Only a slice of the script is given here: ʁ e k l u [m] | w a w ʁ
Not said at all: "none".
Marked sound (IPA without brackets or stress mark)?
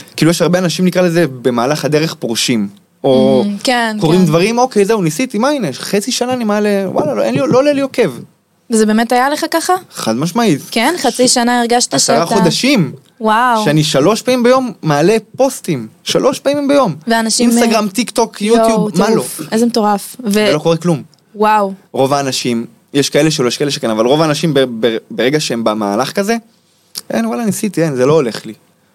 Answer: m